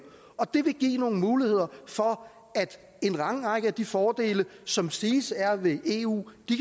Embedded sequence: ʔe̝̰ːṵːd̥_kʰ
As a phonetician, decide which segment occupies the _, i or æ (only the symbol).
i